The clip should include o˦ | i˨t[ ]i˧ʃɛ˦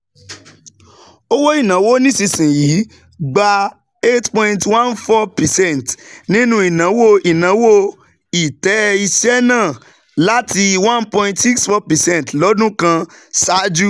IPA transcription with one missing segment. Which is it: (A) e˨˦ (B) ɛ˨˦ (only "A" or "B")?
B